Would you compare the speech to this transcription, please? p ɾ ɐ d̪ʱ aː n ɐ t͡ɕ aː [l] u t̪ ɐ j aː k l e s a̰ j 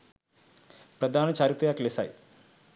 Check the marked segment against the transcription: incorrect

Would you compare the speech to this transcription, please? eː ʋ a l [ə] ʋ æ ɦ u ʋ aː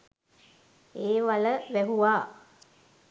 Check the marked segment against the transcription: correct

